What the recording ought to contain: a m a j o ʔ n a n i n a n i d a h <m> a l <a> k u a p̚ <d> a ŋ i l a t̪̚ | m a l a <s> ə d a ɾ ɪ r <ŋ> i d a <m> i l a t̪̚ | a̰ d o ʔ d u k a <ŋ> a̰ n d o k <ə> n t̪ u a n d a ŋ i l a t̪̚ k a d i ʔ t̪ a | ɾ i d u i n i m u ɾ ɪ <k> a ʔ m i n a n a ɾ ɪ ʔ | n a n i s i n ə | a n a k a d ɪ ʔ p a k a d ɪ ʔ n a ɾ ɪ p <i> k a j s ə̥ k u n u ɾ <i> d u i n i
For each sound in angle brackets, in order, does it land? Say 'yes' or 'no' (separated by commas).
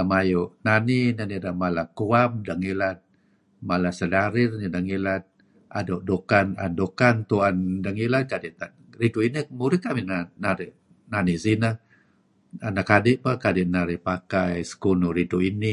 yes, yes, yes, yes, no, no, no, no, yes, no, yes